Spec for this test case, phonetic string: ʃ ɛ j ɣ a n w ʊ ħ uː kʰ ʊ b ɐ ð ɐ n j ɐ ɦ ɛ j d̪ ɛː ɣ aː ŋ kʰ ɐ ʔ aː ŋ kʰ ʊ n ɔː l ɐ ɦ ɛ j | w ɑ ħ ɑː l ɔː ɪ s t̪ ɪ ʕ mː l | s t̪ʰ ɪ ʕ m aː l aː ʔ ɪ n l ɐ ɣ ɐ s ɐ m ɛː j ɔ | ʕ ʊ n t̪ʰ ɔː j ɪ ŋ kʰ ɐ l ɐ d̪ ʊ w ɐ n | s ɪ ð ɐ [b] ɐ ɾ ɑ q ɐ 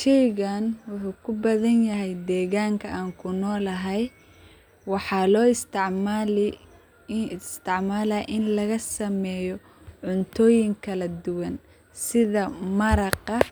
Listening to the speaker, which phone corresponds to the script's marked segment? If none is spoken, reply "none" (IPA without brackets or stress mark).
m